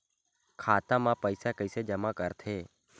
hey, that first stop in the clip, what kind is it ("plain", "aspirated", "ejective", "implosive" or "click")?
aspirated